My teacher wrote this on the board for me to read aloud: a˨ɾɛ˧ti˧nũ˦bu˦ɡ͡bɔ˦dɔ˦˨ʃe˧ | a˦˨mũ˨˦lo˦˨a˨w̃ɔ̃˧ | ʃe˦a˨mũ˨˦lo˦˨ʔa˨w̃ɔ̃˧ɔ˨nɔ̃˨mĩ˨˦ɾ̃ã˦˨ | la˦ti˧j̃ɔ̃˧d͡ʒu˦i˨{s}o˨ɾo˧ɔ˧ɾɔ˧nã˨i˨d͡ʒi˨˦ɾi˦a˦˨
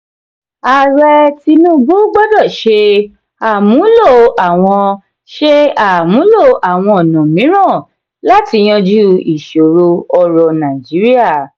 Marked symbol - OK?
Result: no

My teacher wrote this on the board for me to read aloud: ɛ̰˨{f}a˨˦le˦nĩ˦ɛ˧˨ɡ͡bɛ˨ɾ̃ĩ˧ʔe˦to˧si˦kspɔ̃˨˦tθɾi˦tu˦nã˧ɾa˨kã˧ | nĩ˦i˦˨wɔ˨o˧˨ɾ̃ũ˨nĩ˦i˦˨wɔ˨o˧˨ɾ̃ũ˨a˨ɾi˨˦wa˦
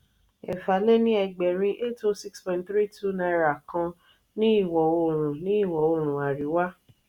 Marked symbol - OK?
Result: yes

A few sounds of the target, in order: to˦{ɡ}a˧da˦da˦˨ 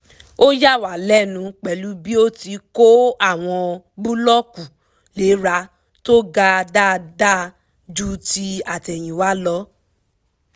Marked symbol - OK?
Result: yes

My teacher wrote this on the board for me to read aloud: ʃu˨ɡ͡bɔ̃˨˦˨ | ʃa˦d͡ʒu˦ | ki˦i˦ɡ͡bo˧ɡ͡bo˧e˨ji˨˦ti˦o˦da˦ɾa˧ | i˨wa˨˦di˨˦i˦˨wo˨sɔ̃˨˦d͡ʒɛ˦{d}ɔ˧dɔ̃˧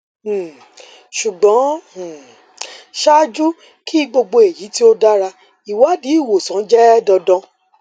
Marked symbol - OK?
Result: yes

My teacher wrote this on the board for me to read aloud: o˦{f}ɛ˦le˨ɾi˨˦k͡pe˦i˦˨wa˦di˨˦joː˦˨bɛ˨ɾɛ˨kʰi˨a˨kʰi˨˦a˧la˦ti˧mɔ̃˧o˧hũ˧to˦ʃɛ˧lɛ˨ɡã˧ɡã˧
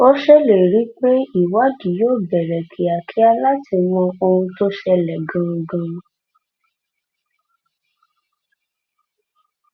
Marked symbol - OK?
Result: no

